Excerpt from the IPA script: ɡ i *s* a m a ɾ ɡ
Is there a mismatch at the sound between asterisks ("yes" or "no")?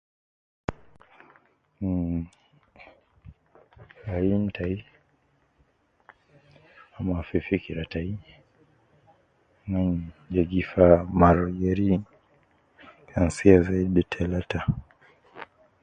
yes